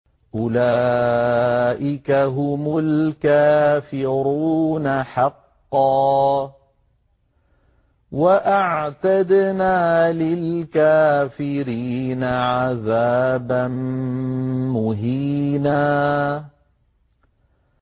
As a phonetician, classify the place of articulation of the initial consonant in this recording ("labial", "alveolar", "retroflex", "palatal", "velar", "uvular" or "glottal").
glottal